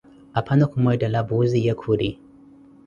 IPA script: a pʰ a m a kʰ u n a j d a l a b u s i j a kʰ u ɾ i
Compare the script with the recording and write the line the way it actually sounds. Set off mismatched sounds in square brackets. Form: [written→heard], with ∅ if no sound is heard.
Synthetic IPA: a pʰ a [m→n] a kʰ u [n→m] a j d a l a b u [s→z] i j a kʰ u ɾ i

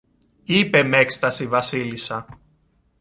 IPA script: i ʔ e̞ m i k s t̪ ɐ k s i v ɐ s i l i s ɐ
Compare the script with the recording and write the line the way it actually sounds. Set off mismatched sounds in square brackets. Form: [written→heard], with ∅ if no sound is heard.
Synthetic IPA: i [ʔ→p] e̞ m [i→e] k s t̪ ɐ [k→∅] s i v ɐ s i l i s ɐ

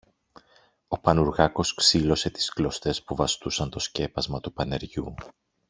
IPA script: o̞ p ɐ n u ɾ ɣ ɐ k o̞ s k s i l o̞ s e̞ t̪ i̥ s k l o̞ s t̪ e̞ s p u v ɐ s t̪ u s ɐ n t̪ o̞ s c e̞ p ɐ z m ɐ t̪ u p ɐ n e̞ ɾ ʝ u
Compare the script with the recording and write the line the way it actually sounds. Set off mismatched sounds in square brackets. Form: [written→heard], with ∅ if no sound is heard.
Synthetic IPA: o̞ p ɐ n u ɾ ɣ ɐ k o̞ s k s i l o̞ s e̞ t̪ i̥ s k l o̞ s t̪ e̞ s p u v ɐ s t̪ u s ɐ n t̪ o̞ s c e̞ p ɐ z m ɐ t̪ u p ɐ n e̞ ɾ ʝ u

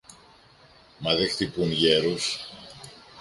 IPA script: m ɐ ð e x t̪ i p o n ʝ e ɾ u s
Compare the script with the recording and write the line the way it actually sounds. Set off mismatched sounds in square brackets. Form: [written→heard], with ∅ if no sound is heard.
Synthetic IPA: m ɐ ð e x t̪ i p [o→u] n ʝ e ɾ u s

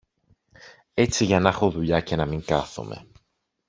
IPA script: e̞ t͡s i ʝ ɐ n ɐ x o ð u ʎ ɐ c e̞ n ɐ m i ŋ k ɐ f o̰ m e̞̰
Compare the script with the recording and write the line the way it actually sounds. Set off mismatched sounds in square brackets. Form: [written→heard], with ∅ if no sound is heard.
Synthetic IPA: e̞ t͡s i ʝ ɐ n ɐ x o ð u ʎ ɐ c e̞ n ɐ m i ŋ k ɐ [f→θ] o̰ m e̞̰

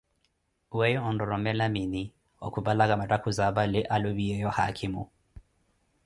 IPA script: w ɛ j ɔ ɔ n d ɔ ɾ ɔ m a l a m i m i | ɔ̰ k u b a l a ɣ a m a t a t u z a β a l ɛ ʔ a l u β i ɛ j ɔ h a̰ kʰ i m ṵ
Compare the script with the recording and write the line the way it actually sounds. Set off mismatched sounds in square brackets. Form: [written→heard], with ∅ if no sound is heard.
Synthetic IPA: w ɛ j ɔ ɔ n d ɔ ɾ ɔ m [a→ɛ] l a m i [m→n] i | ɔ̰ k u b a l a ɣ a m a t a [t→k] u z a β a l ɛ ʔ a l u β i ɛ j ɔ h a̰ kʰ i m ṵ

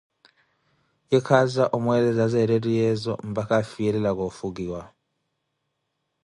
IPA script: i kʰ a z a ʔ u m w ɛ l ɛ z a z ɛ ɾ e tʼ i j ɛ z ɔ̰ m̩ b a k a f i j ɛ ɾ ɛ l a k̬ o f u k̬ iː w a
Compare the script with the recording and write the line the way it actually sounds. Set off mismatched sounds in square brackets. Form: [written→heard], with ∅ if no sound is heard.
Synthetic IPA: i kʰ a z a ʔ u m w ɛ l ɛ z a z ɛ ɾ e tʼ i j ɛ z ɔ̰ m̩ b a k a f i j ɛ [ɾ→l] ɛ l a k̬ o f u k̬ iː w a

